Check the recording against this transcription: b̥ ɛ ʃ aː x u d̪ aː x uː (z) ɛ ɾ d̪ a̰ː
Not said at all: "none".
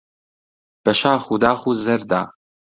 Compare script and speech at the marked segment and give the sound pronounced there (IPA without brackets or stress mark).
z